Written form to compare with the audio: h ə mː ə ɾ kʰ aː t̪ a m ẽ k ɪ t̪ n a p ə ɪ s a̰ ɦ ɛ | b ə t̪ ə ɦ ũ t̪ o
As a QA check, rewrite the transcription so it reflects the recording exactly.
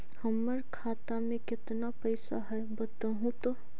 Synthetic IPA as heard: h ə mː ə ɾ kʰ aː t̪ a m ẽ k ɪ t̪ n a p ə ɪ s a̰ ɦ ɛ | b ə t̪ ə ɦ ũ t̪ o